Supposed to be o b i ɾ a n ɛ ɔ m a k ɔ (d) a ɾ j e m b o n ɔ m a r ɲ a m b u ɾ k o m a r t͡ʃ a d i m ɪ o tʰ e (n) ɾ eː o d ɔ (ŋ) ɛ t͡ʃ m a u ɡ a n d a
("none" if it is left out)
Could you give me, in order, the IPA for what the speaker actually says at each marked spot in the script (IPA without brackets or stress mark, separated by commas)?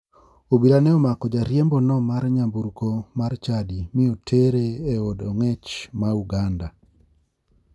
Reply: d͡ʒ, none, ŋ